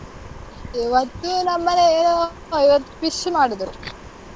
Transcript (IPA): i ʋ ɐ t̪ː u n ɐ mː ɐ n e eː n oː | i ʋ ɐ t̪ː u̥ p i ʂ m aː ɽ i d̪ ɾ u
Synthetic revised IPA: i ʋ ɐ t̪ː u n ɐ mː ɐ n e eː n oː | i ʋ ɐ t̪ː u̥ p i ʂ m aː ɽ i d̪ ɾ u